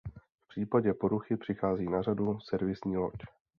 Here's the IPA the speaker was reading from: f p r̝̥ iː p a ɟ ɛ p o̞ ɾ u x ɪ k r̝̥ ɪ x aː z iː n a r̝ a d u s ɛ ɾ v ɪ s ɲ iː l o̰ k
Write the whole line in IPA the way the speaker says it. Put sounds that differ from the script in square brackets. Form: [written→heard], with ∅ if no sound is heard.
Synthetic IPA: f p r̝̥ iː p a ɟ ɛ p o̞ ɾ u x ɪ [k→p] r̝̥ ɪ x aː z iː n a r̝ a d u s ɛ ɾ v ɪ s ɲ iː l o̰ [k→c]